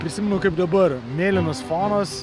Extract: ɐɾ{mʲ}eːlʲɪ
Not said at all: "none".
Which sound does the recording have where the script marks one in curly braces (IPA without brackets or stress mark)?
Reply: mʲ